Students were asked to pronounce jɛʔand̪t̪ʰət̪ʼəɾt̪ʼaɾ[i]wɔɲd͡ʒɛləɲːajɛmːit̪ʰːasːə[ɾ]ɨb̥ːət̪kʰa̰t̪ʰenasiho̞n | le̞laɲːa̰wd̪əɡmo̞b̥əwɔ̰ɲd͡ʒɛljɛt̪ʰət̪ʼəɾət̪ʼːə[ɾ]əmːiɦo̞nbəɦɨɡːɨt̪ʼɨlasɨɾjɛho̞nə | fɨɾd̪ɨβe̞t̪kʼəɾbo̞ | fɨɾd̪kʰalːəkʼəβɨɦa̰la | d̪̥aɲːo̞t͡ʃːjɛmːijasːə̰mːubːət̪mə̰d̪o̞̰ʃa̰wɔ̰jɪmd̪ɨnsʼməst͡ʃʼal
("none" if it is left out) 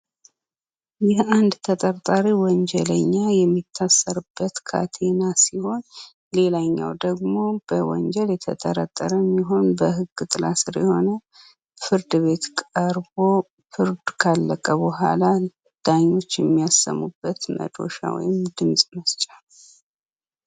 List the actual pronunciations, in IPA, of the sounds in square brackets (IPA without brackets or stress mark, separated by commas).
i, ɾ, ɾ